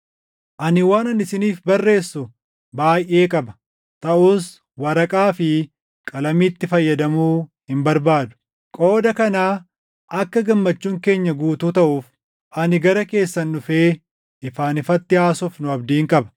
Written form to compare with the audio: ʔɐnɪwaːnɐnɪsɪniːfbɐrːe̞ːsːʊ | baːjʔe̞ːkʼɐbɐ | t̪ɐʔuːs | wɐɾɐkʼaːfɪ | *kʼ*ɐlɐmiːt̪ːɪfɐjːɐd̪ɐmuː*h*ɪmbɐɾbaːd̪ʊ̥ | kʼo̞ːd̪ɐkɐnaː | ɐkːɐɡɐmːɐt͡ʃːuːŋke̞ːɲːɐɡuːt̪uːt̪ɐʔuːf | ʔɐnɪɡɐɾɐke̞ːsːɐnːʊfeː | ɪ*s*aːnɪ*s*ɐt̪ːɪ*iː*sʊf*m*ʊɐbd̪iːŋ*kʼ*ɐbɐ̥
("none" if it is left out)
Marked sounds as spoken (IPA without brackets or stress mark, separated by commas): kʼ, h, f, f, aː, n, kʼ